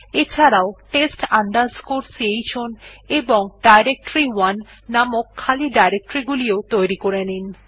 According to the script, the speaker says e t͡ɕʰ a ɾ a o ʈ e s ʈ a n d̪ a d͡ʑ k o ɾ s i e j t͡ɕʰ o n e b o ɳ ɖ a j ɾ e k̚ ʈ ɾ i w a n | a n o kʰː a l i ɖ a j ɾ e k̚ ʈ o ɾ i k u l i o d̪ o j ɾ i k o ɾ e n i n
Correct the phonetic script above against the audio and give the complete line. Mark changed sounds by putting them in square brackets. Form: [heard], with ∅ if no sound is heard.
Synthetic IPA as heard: e t͡ɕʰ a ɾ a o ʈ e s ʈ a n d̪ a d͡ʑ k o ɾ s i e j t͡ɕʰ o n e b o [ŋ] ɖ a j ɾ e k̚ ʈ ɾ i w a [nː] | a [m] o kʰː a l i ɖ a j ɾ e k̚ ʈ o ɾ i [ɡ] u l i o [t̪] o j ɾ i k o ɾ e n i n